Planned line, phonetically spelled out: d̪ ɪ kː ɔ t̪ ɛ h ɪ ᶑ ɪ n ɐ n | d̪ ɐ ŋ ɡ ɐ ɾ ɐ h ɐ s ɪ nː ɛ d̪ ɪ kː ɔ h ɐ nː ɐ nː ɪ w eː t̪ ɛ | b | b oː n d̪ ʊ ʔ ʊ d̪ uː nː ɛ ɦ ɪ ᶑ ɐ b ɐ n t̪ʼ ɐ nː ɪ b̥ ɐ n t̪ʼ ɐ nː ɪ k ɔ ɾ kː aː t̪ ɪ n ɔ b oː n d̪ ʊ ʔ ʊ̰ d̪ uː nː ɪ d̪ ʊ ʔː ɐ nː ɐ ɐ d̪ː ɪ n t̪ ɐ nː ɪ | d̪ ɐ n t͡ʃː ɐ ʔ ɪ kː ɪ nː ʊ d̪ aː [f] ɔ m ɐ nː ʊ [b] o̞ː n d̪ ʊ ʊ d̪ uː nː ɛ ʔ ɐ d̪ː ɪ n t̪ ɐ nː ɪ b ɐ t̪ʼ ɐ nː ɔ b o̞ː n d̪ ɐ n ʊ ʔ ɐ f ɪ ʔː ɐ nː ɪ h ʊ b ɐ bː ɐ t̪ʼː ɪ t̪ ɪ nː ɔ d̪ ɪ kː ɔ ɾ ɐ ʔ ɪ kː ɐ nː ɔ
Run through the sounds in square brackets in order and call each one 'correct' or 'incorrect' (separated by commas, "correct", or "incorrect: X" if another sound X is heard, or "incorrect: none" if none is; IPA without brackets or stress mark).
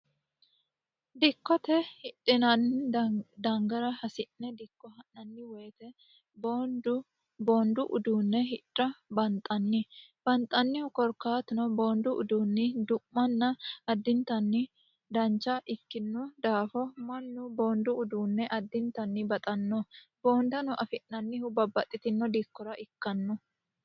correct, correct